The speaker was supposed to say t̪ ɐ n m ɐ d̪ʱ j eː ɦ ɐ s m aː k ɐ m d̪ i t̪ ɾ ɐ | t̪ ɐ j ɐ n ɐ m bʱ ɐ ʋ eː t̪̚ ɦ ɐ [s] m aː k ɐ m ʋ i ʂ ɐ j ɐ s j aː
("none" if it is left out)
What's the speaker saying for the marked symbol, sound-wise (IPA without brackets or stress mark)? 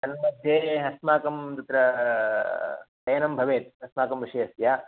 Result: s